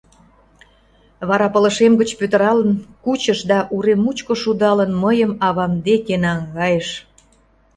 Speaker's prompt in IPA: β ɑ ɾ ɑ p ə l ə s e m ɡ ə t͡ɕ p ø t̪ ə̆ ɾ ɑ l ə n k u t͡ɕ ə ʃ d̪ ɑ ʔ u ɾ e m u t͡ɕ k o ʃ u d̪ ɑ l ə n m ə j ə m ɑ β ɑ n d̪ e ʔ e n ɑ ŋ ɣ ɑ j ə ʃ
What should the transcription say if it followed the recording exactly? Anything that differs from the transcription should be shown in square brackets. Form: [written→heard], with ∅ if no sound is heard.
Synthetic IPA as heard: β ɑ ɾ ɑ p ə l ə [s→ʃ] e m ɡ ə t͡ɕ p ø t̪ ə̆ ɾ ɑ l ə n k u t͡ɕ ə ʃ d̪ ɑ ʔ u ɾ e m u t͡ɕ k o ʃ u d̪ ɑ l ə n m ə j ə m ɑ β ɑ [n→m] d̪ e [ʔ→k] e n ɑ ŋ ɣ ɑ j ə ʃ

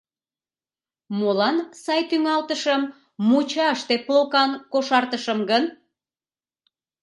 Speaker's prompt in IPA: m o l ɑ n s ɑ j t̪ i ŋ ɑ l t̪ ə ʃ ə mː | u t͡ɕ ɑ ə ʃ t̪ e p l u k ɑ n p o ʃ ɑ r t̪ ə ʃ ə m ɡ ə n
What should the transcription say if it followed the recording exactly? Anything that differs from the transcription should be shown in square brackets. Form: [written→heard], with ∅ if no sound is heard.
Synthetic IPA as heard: m o l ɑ n s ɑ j t̪ [i→y] ŋ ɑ l t̪ ə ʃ ə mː | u t͡ɕ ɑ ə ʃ t̪ e p l [u→o] k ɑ n [p→k] o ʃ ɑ r t̪ ə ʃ ə m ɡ ə n

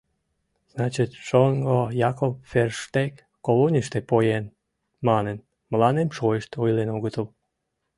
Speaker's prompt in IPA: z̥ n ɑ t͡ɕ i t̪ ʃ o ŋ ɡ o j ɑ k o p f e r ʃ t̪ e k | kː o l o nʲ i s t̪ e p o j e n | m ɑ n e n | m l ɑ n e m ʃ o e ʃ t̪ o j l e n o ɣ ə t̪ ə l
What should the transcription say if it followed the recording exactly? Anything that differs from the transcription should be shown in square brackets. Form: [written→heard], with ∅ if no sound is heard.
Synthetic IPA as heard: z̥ n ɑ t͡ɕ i t̪ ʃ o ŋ ɡ o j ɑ k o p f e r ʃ t̪ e k | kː o l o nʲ i [s→ʃ] t̪ e p o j e n | m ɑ n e n | m l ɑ n e m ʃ o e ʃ t̪ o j l e n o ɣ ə t̪ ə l

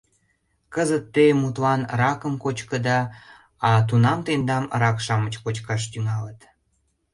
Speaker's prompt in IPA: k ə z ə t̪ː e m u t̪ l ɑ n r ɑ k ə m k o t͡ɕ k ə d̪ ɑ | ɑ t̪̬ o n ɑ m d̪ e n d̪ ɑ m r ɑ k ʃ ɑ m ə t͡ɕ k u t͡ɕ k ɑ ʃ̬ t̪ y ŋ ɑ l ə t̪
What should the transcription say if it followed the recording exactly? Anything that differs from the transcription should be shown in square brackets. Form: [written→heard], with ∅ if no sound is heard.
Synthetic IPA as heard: k ə z ə t̪ː e m u t̪ l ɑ n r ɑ k ə m k o t͡ɕ k ə d̪ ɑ | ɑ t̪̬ [o→u] n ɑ m [d̪→t̪] e n d̪ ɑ m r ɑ k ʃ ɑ m ə t͡ɕ k [u→o] t͡ɕ k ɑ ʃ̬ t̪ y ŋ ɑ l ə t̪

